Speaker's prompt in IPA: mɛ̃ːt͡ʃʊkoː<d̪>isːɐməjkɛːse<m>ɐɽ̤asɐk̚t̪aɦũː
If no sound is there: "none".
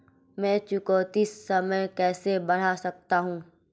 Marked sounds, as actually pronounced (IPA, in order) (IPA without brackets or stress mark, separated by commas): t̪, b